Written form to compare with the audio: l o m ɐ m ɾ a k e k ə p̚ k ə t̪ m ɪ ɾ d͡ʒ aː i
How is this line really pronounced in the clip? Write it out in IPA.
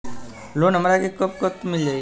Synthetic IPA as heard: l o n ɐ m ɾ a k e k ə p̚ k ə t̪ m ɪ l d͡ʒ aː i